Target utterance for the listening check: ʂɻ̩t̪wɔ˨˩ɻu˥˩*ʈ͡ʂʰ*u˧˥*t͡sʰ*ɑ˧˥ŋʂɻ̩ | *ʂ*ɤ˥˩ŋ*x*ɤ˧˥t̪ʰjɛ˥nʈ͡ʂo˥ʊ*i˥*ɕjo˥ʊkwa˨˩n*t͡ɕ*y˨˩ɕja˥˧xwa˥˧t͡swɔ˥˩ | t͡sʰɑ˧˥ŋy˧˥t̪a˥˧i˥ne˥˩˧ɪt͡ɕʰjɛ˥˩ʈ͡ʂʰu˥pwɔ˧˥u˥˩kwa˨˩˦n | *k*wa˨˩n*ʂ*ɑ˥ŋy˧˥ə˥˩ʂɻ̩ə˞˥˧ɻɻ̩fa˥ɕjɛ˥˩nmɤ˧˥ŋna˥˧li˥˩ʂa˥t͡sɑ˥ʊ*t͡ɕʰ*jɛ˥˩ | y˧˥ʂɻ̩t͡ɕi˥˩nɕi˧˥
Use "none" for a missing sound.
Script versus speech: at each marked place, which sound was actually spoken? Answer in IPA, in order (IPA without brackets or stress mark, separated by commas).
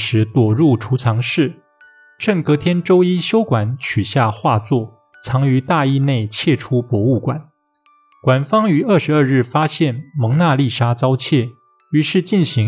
ʈ͡ʂʰ, t͡sʰ, ʈ͡ʂ, k, i˥, t͡ɕʰ, k, f, t͡ɕʰ